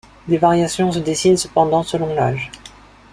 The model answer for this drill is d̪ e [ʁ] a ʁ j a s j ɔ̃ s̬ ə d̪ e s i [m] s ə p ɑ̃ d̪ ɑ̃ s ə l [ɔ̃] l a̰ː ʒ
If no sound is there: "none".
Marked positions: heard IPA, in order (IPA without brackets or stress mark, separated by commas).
v, n, ɔ̃